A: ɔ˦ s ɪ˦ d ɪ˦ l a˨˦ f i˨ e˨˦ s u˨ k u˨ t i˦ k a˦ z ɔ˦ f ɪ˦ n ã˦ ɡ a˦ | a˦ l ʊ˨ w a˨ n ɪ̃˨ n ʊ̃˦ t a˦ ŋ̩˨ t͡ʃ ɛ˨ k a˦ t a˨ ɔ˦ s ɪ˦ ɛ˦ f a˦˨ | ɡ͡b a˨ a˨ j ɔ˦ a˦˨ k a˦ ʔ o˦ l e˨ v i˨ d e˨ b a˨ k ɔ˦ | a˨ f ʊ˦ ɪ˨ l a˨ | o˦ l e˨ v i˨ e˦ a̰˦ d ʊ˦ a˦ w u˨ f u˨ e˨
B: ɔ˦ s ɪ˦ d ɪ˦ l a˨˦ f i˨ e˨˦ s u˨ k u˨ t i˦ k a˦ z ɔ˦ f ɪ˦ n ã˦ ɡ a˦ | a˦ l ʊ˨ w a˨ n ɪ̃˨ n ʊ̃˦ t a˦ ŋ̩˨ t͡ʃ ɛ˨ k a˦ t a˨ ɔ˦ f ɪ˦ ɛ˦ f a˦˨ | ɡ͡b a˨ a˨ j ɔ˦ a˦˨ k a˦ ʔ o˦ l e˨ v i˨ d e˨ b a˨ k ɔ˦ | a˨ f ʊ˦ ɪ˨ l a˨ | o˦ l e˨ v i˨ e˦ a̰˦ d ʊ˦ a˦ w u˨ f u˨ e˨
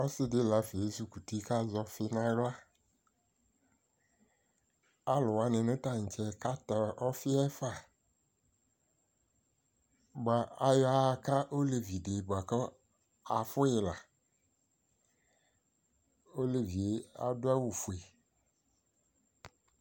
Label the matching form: B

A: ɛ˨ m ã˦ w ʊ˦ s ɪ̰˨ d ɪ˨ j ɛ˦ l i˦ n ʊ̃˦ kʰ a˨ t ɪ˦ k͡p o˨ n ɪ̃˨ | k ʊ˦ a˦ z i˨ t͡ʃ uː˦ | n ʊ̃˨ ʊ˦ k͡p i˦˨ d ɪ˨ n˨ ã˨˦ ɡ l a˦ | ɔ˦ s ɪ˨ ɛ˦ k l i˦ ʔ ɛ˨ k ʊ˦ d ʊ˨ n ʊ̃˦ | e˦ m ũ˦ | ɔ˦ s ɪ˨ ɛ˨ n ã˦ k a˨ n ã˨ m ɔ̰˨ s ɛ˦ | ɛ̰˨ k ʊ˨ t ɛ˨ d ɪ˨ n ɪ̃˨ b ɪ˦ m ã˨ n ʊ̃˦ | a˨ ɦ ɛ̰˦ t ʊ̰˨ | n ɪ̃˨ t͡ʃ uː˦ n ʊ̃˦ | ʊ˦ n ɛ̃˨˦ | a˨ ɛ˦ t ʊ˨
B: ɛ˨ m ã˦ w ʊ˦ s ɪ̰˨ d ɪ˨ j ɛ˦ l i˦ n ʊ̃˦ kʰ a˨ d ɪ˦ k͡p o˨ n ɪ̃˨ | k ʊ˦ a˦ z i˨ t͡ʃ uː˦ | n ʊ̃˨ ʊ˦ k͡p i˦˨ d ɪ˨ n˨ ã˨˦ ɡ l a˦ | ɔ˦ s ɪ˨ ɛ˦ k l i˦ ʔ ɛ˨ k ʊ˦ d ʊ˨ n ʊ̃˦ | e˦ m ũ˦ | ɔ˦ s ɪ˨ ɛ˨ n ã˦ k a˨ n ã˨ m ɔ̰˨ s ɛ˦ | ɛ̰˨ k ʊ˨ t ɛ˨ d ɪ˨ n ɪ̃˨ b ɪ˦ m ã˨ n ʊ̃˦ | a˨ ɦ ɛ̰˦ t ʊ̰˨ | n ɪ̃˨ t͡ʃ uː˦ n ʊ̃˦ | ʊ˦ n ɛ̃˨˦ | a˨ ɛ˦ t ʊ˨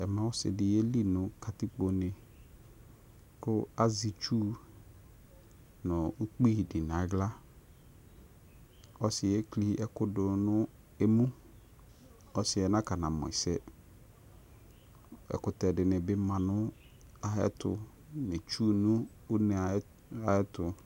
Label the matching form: A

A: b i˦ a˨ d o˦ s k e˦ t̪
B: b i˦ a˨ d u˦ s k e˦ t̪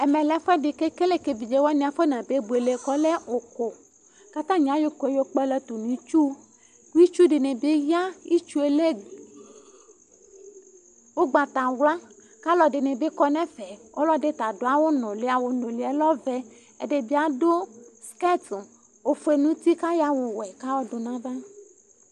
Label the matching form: A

